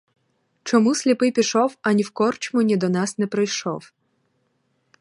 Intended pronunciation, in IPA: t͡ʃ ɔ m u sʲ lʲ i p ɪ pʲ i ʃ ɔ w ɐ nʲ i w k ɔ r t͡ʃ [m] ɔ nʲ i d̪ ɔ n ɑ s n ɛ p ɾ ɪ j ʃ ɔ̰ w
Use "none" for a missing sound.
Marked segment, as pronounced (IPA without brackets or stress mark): m